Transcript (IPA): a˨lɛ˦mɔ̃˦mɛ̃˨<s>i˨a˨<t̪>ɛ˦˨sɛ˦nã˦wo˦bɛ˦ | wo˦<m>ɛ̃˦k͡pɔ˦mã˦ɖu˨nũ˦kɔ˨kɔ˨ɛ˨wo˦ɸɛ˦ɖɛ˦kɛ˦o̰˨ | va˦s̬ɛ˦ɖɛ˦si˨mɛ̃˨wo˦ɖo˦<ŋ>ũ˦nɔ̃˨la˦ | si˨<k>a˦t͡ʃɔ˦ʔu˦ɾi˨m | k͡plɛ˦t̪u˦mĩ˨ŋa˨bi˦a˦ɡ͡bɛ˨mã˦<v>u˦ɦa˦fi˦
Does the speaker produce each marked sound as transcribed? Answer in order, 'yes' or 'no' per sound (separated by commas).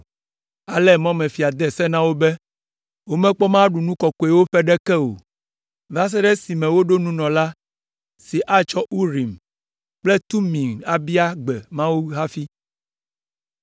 no, no, yes, no, no, no